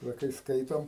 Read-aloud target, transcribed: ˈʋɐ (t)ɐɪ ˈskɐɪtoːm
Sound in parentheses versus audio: incorrect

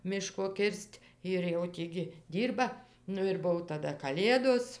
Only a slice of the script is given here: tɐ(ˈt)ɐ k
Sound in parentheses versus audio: incorrect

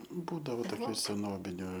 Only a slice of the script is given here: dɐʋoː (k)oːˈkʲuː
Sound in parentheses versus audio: incorrect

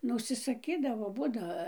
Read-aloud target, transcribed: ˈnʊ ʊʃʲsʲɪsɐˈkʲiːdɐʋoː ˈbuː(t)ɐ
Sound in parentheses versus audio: incorrect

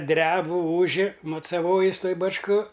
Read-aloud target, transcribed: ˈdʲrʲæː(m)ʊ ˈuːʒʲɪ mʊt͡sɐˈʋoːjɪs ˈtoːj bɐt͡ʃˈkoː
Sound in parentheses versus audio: incorrect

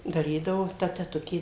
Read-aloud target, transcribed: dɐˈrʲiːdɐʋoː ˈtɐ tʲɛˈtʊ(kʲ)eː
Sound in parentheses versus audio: correct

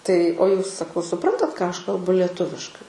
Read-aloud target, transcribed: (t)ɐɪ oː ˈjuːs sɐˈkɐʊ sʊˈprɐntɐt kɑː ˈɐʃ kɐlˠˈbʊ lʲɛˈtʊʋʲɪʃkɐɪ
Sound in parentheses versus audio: correct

